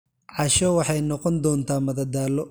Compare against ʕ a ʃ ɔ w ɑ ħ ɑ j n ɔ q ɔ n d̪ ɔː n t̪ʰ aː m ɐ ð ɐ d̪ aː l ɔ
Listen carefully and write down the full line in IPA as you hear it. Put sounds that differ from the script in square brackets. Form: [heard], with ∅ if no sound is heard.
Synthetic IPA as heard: ʕ [ɑ] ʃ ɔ w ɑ ħ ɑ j n ɔ q ɔ n d̪ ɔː n t̪ʰ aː m ɐ ð ɐ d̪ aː l ɔ